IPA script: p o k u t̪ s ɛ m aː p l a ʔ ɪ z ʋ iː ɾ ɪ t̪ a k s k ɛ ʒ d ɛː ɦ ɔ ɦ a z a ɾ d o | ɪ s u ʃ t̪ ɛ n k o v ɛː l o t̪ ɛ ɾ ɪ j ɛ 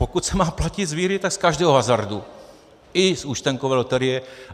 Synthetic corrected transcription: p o k u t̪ s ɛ m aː p l a c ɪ z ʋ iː ɾ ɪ t̪ a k s k a ʒ d ɛː ɦ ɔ ɦ a z a ɾ d u | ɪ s u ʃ t̪ ɛ ŋ k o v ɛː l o t̪ ɛ ɾ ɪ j ɛ